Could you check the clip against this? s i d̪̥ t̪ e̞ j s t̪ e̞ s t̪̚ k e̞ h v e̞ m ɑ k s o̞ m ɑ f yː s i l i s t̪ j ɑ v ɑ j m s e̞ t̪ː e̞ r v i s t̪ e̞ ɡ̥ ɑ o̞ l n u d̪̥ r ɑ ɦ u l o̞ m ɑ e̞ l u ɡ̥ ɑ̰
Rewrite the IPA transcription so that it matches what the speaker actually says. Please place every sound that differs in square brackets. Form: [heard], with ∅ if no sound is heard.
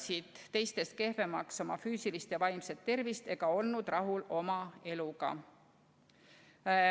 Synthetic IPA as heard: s i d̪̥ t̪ e̞ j s t̪ e̞ s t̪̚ k e̞ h v e̞ m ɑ k s o̞ m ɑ f yː s i l i s t̪ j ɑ v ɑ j m s e̞ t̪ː e̞ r v i s t̪ e̞ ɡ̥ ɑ o̞ l n u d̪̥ r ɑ ɦ u l o̞ m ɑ e̞ l u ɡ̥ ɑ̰